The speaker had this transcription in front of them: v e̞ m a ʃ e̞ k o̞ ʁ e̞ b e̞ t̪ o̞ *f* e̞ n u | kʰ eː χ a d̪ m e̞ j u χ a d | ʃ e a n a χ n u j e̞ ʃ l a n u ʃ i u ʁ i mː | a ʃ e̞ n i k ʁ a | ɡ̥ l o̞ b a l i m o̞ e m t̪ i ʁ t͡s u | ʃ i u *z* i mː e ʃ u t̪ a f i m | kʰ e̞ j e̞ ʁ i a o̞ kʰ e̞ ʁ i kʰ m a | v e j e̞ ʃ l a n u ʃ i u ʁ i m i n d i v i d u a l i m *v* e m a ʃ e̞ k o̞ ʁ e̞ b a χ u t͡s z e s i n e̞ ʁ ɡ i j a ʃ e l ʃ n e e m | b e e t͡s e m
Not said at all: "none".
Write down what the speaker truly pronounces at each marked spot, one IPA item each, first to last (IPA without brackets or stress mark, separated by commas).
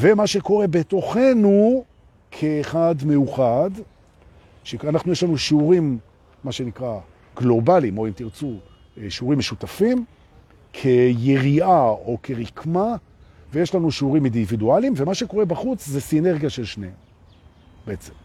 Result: χ, ʁ, v